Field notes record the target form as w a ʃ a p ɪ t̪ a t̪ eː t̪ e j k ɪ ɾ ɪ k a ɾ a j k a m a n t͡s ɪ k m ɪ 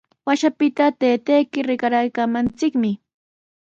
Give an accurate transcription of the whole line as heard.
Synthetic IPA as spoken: w a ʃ a p ɪ t̪ a t̪ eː t̪ e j k ɪ ɾ ɪ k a ɾ a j k a m a n t͡s ɪ k m ɪ